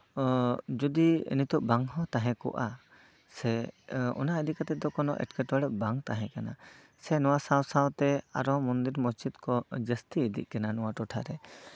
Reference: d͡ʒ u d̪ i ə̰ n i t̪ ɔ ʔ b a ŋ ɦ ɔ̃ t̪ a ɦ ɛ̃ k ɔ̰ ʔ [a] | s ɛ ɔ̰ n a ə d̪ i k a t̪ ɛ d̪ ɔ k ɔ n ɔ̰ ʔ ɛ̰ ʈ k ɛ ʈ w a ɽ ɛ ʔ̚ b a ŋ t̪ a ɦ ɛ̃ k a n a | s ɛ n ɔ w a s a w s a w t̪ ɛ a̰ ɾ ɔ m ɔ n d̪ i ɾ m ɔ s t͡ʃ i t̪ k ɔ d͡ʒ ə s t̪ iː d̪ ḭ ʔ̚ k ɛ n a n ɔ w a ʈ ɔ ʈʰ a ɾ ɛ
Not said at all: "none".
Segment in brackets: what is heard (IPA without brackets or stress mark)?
a